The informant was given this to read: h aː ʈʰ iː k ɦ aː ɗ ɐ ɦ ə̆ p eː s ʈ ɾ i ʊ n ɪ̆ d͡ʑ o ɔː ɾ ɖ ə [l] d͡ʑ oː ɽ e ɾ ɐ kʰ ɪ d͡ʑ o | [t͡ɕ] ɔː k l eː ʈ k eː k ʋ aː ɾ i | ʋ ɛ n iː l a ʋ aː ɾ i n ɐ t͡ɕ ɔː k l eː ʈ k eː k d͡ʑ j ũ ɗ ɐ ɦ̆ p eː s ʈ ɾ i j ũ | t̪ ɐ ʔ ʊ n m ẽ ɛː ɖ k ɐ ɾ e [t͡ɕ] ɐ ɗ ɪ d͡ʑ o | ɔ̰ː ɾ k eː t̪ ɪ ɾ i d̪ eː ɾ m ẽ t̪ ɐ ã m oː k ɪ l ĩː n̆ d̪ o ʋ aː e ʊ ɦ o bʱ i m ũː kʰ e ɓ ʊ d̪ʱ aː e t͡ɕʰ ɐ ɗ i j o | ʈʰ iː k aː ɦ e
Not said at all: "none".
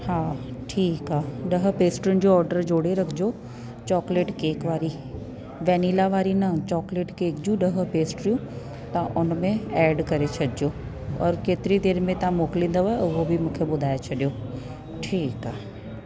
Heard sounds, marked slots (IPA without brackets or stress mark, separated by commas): ɾ, t͡ɕ, t͡ɕʰ